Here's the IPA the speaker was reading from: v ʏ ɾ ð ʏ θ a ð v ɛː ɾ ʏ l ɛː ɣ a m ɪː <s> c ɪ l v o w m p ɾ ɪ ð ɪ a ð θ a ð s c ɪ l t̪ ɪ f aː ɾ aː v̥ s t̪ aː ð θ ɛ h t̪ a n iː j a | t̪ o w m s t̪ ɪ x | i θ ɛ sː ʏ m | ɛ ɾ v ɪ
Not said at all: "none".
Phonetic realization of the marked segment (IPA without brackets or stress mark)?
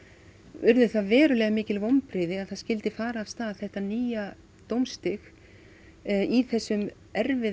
none